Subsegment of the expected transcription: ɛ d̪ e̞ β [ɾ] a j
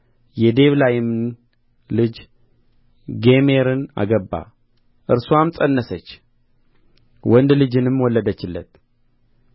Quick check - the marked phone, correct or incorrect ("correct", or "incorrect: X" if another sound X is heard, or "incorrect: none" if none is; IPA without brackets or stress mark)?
incorrect: l